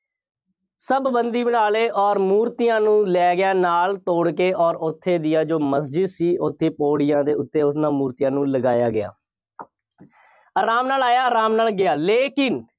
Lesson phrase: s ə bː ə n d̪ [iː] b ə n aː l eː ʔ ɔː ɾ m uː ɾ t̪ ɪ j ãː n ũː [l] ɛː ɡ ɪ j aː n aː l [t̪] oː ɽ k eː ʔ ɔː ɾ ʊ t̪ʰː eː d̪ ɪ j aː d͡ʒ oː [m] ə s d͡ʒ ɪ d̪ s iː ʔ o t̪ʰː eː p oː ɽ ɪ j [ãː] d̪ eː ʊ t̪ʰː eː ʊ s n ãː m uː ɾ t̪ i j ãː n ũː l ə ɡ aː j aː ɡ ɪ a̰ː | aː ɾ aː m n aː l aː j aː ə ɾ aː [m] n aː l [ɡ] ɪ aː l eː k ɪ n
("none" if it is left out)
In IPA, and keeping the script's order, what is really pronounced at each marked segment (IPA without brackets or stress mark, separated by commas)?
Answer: iː, l, t̪, m, ãː, m, ɡ